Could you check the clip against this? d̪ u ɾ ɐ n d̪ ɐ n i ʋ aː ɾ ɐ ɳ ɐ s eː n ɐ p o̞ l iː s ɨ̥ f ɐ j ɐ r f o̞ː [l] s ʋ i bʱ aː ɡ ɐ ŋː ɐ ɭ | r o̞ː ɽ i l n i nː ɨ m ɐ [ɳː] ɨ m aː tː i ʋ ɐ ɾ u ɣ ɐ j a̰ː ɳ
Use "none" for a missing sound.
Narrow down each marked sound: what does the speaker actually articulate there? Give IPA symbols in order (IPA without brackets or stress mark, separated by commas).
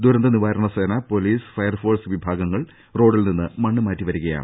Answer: r, ɳː